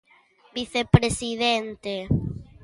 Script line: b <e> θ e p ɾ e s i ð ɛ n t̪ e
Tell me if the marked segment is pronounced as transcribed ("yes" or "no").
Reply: no